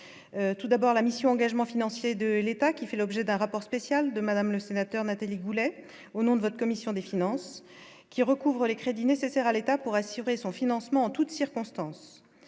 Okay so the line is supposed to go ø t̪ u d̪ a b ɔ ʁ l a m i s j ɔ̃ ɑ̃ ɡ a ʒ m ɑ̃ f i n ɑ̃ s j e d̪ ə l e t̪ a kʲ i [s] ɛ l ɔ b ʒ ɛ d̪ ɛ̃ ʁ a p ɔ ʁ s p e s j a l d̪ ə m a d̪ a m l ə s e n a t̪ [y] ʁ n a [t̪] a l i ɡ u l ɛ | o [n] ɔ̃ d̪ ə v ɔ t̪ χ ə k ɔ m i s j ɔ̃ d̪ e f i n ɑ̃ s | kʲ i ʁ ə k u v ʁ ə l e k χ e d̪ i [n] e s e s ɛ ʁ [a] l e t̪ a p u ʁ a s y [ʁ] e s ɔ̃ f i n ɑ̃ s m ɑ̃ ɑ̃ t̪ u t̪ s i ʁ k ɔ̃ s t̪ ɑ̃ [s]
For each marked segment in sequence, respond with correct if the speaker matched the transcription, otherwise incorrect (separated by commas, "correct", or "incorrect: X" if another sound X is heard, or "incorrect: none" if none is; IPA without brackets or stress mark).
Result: incorrect: f, incorrect: œ, correct, correct, correct, correct, correct, correct